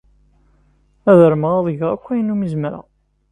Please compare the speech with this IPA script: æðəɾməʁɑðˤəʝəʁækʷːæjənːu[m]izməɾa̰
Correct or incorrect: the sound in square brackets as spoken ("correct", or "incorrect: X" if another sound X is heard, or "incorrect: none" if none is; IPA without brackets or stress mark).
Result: correct